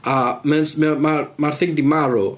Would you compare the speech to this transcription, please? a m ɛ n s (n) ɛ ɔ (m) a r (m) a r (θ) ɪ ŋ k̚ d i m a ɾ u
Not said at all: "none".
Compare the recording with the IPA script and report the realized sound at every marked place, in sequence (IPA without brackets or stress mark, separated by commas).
m, m, m, θ